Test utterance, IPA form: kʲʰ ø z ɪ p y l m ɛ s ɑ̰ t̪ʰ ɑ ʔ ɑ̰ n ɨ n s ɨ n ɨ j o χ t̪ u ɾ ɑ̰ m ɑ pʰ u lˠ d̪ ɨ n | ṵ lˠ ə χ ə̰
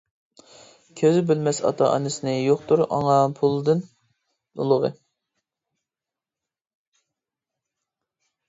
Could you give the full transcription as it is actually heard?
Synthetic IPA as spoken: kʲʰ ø z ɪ b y l m ɛ s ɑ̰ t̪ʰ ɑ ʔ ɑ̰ n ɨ s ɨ n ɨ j o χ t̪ u ɾ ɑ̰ ŋ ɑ pʰ u lˠ d̪ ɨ n | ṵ lˠ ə ʁ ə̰